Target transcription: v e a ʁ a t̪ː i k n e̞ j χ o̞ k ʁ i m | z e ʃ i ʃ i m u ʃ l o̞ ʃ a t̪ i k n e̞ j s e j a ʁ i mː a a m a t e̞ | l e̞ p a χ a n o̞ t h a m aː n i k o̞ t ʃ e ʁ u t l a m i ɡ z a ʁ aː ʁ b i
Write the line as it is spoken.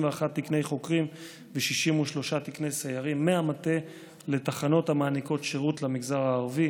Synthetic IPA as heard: v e a χ a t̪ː i k n e̞ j χ o̞ k ʁ i m | v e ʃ i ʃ i m u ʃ l o̞ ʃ a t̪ i k n e̞ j s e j a ʁ i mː e a m a t e̞ | l e̞ t a χ a n o̞ t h a m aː n i k o̞ t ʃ e ʁ u t l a m i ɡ z a ʁ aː ʁ v i